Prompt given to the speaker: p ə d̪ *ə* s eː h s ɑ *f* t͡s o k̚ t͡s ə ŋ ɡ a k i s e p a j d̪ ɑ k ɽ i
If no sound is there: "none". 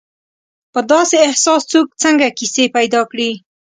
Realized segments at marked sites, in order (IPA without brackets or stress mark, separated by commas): ɑ, s